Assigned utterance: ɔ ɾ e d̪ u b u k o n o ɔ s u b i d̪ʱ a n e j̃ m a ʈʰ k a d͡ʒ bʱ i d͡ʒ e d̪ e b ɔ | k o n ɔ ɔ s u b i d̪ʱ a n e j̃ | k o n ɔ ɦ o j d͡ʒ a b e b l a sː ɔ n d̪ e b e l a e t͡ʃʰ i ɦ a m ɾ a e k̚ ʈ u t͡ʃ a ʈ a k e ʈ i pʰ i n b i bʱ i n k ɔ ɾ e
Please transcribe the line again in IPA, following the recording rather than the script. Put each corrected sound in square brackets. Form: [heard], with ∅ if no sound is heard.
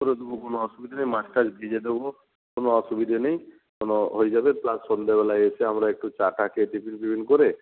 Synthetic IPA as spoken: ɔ ɾ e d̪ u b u k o n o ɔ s u b i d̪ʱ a n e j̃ m a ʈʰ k a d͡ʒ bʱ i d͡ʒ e d̪ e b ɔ | k o n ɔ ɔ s u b i d̪ʱ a n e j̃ | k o n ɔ ɦ o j d͡ʒ a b e [p] l a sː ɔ n d̪ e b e l a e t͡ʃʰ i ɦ a m ɾ a e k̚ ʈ u t͡ʃ a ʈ a k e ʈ i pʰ i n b i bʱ i n k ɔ ɾ e